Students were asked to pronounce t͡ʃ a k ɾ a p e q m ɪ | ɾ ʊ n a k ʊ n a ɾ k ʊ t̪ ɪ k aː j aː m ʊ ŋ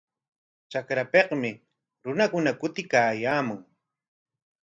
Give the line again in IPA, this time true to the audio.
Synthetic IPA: t͡ʃ a k ɾ a p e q m ɪ | ɾ ʊ n a k ʊ n a k ʊ t̪ ɪ k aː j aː m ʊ ŋ